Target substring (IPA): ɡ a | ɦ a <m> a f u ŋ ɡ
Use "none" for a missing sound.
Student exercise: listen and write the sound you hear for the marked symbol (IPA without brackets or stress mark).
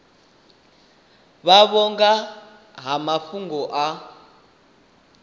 m